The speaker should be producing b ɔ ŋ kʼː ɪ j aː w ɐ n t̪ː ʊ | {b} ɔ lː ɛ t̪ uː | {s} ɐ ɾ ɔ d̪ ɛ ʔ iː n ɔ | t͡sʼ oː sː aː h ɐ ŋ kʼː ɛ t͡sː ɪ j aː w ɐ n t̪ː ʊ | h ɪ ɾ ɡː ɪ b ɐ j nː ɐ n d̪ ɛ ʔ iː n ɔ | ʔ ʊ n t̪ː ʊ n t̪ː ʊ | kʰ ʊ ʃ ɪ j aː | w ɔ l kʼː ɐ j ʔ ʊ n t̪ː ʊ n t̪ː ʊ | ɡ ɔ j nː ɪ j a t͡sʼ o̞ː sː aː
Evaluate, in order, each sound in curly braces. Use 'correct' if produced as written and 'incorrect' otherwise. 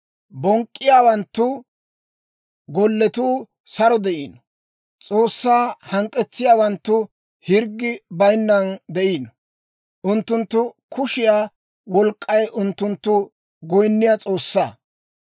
incorrect: ɡ, correct

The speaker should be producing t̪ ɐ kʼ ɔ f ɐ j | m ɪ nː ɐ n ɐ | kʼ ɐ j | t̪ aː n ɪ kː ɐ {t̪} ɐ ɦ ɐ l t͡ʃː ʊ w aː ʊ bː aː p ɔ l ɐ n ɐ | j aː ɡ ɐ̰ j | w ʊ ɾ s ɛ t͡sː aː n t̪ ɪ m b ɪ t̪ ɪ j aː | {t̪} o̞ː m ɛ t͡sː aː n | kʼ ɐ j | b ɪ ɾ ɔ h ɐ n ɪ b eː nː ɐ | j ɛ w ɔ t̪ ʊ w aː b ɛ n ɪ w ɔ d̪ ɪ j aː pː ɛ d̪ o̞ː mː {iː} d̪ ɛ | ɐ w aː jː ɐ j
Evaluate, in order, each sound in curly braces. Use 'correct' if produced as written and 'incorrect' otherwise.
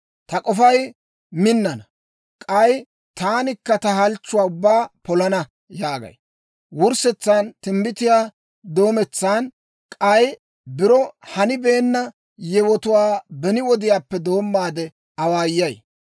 correct, incorrect: d̪, incorrect: aː

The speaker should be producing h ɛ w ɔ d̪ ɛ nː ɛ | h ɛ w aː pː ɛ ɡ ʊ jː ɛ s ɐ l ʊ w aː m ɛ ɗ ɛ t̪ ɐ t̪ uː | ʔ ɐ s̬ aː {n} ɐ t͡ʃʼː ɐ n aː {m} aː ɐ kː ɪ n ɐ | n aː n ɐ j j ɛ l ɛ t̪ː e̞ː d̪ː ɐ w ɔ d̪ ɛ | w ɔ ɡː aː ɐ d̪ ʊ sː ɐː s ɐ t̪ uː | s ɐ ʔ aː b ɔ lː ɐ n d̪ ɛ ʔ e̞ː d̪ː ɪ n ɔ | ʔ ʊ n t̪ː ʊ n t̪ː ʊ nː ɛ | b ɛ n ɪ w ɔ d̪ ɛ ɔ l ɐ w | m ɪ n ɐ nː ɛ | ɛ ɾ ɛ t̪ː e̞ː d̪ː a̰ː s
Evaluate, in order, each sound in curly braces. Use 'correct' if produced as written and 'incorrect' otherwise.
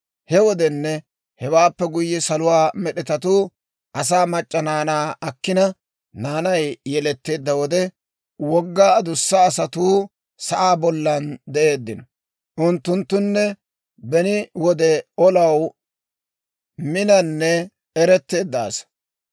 incorrect: m, incorrect: n

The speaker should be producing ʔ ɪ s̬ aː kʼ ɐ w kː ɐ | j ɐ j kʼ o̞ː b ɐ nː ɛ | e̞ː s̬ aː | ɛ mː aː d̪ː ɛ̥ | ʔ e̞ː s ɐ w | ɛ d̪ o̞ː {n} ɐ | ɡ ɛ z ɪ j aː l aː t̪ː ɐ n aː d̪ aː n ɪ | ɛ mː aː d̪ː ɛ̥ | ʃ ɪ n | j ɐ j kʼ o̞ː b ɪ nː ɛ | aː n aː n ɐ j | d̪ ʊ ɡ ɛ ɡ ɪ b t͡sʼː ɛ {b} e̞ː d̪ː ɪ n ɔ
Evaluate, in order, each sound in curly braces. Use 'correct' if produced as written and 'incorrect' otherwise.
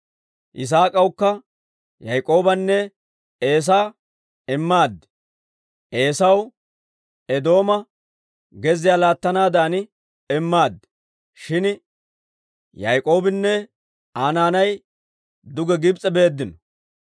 incorrect: m, correct

